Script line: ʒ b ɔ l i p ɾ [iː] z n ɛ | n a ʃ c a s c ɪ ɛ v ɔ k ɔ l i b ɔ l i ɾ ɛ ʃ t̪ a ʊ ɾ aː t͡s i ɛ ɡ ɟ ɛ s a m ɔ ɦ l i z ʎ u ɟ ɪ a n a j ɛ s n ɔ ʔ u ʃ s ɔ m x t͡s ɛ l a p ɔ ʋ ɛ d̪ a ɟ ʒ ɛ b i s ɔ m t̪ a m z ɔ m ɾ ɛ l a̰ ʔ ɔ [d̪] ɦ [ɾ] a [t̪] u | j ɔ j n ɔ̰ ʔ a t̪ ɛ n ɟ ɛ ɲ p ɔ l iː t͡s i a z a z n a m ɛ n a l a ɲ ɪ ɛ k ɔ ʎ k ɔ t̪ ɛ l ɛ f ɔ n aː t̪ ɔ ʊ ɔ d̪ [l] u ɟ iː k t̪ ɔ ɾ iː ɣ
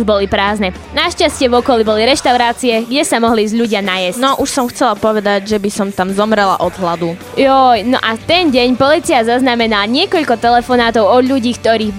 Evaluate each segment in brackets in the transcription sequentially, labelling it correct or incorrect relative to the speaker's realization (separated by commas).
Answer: incorrect, correct, incorrect, incorrect, incorrect